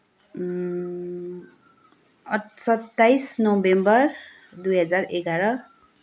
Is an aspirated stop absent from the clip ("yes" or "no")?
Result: yes